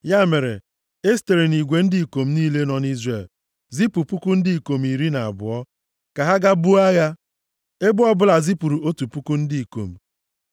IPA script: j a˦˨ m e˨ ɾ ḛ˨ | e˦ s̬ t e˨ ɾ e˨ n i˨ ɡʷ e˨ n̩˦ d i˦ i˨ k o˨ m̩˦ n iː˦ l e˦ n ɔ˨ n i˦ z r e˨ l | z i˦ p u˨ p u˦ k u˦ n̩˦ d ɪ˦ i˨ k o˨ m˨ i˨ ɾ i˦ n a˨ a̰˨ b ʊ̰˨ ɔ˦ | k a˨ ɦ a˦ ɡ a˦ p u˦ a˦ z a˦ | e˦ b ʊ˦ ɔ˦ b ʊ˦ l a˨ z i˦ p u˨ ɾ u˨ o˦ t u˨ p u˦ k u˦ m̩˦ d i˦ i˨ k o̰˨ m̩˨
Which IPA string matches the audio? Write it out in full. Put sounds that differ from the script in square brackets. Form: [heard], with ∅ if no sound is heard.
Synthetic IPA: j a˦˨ m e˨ ɾ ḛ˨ | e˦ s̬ t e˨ ɾ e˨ n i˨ ɡʷ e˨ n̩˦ d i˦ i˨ k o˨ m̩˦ n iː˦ l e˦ n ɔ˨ n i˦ z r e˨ l | z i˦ p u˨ p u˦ k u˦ n̩˦ d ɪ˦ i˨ k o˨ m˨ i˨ ɾ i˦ n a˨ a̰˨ b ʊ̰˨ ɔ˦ | k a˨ ɦ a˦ ɡ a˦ [b] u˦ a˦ [ɣ] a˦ | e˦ b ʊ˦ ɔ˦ b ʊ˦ l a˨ z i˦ p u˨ ɾ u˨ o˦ t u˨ p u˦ k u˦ [n̩˦] d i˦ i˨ k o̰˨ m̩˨

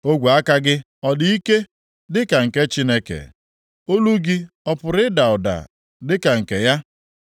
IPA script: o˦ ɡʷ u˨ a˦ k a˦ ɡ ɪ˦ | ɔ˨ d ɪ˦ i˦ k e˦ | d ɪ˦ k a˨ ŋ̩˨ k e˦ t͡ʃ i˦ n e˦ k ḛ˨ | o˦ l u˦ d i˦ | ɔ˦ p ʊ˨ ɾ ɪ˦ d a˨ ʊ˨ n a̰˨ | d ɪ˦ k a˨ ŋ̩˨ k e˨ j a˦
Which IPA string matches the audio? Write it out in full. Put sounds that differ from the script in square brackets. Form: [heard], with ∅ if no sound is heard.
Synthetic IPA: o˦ ɡʷ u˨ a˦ k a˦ ɡ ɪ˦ | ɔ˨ d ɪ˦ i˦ k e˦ | d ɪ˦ k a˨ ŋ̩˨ k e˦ t͡ʃ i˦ n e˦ k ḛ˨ | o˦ l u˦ [ɡ] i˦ | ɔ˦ p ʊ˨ ɾ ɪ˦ d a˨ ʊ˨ [d] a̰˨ | d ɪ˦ k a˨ ŋ̩˨ k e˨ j a˦

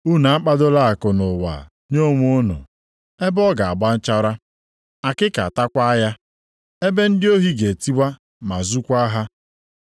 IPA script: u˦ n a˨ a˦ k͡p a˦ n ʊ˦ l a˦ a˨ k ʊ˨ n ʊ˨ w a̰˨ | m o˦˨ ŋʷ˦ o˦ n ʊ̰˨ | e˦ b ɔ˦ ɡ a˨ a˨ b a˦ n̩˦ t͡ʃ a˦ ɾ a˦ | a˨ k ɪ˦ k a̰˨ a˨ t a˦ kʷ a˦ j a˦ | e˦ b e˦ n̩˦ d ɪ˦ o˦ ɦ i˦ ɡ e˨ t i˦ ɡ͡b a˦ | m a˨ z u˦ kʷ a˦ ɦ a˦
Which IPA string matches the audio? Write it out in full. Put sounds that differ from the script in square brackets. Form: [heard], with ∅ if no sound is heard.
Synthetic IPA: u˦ n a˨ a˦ k͡p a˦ [d] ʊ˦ l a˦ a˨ k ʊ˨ n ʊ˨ w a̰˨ | [ɲ] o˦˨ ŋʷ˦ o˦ n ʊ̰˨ | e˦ b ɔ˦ ɡ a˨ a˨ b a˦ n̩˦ t͡ʃ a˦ ɾ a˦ | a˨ k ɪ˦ k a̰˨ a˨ t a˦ kʷ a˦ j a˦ | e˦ b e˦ n̩˦ d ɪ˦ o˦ ɦ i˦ ɡ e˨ t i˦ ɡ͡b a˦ | m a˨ z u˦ kʷ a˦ ɦ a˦

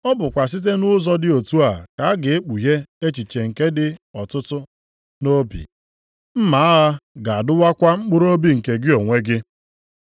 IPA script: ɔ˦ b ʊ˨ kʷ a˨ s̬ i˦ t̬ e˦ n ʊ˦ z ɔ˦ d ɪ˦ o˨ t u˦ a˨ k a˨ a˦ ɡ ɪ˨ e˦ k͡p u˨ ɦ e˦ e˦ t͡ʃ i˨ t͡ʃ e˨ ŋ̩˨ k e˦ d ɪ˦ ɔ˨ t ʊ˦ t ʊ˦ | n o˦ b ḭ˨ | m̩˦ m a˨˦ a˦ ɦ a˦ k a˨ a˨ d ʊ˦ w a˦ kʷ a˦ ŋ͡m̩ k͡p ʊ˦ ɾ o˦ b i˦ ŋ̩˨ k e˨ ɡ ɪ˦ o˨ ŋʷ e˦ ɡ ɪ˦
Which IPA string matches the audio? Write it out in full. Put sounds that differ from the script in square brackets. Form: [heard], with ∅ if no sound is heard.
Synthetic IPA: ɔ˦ b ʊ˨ kʷ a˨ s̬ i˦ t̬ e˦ n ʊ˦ z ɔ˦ d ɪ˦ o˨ t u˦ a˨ k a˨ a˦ ɡ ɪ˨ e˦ k͡p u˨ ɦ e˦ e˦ t͡ʃ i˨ t͡ʃ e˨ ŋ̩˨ k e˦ d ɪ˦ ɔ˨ t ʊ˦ t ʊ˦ | n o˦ b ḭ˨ | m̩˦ m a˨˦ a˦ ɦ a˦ [ɡ] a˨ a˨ d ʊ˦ w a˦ kʷ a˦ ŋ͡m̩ k͡p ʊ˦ ɾ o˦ b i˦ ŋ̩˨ k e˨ ɡ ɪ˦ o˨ ŋʷ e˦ ɡ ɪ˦

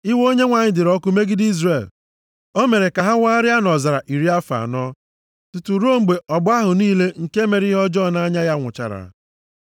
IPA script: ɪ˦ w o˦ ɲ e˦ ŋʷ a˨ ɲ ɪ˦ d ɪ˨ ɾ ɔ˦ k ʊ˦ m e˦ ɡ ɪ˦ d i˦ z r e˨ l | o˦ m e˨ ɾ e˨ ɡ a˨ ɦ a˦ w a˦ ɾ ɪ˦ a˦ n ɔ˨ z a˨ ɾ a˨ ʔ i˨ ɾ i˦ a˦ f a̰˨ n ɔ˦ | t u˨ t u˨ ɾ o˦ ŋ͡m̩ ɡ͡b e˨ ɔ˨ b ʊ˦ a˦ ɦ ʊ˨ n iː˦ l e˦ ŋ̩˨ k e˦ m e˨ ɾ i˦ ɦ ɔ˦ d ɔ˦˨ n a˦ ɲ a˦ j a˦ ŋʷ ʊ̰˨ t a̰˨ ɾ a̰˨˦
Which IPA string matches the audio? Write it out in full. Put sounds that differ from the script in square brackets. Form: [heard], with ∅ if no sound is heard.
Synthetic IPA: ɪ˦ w o˦ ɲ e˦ ŋʷ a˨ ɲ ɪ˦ d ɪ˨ ɾ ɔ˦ k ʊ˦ m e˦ ɡ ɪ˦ d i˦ z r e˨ l | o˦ m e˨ ɾ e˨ [k] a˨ ɦ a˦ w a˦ ɾ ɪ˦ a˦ n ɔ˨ z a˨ ɾ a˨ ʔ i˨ ɾ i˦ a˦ f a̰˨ n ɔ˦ | t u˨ t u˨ ɾ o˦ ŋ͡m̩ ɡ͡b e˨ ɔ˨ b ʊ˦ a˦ ɦ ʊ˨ n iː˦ l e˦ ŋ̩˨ k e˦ m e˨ ɾ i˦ ɦ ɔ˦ [d͡ʒ] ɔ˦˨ n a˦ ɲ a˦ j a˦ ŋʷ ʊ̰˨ [t͡ʃ] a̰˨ ɾ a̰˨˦

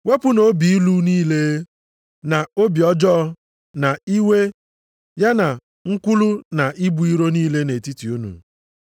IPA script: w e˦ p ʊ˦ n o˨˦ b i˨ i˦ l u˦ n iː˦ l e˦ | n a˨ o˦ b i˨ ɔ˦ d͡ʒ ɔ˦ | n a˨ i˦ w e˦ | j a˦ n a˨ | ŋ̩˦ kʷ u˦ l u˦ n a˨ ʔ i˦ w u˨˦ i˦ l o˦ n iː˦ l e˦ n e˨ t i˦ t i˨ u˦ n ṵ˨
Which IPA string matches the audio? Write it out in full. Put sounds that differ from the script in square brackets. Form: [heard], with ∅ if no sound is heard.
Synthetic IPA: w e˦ p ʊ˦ n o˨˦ b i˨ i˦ l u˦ n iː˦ l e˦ | n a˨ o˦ b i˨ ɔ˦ d͡ʒ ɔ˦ | n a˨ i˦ w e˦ | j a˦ n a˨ | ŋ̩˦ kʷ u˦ l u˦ n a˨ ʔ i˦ [b] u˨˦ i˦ [ɾ] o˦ n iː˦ l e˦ n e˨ t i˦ t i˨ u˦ n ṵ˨

